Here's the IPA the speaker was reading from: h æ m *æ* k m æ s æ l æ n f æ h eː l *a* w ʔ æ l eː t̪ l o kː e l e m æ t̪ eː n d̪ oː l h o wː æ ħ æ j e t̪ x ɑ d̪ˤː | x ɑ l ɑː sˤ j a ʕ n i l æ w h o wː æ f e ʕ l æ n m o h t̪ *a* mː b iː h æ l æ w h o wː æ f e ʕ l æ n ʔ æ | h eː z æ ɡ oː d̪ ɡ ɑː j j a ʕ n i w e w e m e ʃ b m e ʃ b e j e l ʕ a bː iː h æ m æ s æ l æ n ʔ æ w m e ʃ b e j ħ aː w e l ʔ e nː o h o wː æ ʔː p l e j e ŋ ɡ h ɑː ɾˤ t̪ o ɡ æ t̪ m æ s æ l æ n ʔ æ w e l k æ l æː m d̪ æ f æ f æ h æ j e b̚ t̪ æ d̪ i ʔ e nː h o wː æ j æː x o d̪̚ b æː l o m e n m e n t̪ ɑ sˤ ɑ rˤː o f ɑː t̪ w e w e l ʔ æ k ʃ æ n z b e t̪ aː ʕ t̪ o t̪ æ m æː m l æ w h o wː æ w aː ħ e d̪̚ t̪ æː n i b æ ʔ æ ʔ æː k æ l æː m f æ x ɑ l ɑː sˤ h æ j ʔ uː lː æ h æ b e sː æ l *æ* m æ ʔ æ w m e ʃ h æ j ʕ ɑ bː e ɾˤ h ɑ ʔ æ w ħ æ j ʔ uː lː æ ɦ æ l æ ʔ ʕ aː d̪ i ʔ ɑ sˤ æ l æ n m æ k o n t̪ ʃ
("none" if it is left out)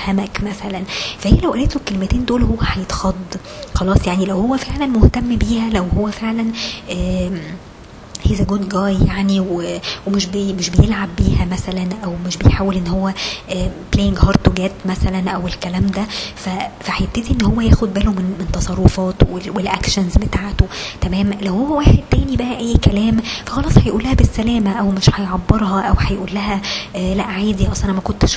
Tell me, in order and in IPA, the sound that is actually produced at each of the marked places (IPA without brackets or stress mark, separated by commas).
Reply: æ, æ, æ, æː